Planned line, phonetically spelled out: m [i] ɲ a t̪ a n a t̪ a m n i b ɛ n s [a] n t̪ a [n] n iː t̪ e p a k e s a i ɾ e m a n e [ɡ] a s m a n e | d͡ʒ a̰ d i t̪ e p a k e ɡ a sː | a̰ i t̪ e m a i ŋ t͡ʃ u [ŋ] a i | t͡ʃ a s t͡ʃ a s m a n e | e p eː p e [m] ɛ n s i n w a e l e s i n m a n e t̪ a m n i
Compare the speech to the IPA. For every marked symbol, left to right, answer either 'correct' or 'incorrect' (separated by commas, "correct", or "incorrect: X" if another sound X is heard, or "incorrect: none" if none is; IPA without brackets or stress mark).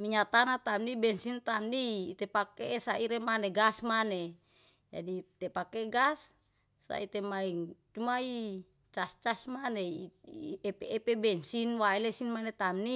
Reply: correct, incorrect: i, incorrect: m, correct, incorrect: m, incorrect: b